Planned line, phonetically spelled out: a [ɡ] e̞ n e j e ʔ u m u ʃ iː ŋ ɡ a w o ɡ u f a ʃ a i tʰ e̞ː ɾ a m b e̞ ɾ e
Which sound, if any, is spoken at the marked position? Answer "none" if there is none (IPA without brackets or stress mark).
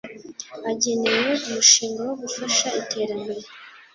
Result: ɟ